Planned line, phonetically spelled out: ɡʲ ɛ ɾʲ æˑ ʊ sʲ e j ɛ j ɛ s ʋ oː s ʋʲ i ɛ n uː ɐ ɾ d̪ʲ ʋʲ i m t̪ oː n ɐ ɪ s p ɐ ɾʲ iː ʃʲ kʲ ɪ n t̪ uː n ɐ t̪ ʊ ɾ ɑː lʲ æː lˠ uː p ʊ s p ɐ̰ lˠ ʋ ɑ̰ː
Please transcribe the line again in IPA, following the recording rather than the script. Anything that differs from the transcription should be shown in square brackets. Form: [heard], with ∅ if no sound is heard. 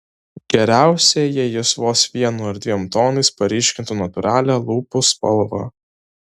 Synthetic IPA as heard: ɡʲ ɛ ɾʲ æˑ ʊ sʲ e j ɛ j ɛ s ʋ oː s ʋʲ i ɛ n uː ɐ ɾ d̪ʲ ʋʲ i m t̪ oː n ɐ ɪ s p ɐ ɾʲ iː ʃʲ kʲ ɪ n t̪ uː n ɐ t̪ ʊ ɾ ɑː lʲ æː lˠ uː p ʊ s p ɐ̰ lˠ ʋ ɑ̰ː